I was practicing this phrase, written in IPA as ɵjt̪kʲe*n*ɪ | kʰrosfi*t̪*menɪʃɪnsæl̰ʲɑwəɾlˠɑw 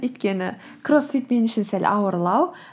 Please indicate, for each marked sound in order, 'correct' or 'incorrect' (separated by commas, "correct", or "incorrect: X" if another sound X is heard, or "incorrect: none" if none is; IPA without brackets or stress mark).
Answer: correct, correct